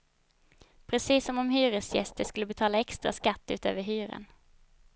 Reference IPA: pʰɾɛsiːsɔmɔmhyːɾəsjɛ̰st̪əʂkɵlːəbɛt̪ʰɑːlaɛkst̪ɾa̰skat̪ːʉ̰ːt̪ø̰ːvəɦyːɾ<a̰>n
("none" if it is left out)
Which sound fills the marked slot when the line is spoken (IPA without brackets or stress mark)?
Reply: ə̰